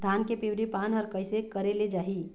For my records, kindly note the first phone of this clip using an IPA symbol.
d̪ʱ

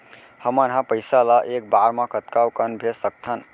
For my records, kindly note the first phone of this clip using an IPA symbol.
h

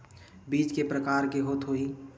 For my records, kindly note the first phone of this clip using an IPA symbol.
b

